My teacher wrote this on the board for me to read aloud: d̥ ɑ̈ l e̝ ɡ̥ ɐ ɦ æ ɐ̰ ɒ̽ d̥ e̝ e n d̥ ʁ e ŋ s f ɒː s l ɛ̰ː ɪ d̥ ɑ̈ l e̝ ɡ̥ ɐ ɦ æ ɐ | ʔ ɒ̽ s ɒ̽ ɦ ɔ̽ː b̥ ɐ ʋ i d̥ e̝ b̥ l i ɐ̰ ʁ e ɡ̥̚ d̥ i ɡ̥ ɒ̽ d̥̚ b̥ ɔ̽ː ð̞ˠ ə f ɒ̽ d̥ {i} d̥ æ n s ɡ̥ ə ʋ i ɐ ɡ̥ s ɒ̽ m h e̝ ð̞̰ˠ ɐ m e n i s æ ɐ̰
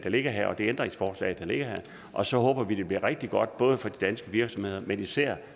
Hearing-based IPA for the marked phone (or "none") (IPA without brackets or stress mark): i